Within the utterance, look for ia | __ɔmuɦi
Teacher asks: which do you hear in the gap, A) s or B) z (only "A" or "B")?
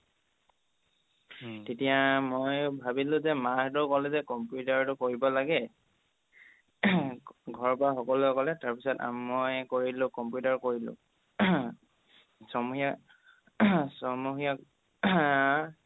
A